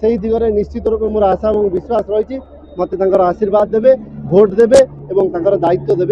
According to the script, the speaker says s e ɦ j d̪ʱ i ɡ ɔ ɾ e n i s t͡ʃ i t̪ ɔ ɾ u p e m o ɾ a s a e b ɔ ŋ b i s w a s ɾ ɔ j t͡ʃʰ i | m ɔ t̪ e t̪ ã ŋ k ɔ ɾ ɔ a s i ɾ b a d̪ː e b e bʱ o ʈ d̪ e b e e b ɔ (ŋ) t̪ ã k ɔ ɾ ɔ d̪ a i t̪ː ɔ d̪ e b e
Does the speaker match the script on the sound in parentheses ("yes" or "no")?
yes